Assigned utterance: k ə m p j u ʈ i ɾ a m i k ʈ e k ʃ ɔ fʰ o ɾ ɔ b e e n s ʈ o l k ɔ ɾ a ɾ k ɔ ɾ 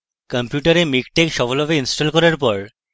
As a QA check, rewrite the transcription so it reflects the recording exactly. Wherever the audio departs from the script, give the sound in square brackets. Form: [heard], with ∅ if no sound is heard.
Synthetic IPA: k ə m p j u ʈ [a] ɾ [e] m i k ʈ e k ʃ ɔ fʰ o [l] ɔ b e [i] n s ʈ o l k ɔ ɾ a ɾ [p] ɔ ɾ